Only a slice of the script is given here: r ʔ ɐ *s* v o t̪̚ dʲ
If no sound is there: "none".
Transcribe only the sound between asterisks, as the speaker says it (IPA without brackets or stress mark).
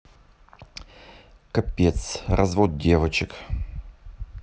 z